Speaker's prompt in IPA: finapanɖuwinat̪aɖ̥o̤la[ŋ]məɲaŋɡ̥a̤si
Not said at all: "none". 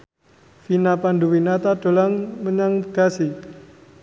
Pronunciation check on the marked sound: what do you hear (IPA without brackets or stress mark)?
ŋ